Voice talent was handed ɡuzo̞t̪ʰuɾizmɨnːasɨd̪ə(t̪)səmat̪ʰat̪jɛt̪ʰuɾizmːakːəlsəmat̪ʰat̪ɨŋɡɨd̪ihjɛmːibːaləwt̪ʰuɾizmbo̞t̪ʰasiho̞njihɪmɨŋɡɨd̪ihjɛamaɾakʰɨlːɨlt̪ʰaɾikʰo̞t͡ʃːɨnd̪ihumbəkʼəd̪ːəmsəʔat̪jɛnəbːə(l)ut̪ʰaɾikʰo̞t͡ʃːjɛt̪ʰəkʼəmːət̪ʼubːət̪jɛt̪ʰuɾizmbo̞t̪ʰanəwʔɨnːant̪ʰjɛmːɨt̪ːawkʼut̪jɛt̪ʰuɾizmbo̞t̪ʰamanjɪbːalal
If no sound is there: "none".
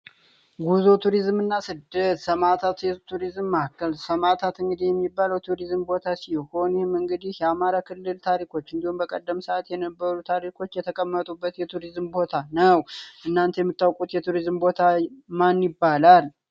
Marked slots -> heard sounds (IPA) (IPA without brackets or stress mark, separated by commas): t̪, ɾ